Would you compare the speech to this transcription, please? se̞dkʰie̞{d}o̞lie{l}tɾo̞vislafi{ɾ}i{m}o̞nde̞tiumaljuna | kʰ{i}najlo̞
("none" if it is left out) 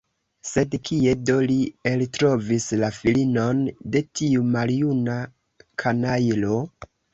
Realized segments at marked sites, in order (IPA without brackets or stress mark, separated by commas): d, l, l, n, a